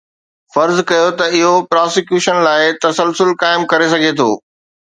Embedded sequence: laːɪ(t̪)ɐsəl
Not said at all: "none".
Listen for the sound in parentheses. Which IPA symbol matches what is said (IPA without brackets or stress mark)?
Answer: t̪